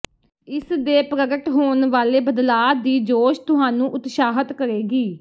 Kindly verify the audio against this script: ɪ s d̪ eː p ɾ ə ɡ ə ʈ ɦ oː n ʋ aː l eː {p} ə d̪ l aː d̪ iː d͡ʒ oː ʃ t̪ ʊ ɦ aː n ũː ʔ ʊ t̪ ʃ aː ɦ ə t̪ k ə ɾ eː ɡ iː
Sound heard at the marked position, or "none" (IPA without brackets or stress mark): b